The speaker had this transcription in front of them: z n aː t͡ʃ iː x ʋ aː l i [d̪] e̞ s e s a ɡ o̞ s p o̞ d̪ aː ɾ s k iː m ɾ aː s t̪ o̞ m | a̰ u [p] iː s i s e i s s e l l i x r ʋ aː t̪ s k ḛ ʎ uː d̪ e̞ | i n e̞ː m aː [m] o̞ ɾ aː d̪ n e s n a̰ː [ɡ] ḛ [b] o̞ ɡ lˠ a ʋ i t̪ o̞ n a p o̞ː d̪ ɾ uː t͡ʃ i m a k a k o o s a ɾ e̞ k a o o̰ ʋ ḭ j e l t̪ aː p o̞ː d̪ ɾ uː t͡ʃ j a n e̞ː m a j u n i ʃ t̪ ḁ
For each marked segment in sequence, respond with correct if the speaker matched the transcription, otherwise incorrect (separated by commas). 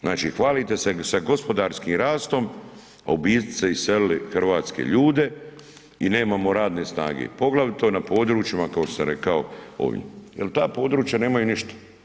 incorrect, incorrect, correct, correct, incorrect